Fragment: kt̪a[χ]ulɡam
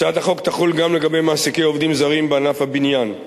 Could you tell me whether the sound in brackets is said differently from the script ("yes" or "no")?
no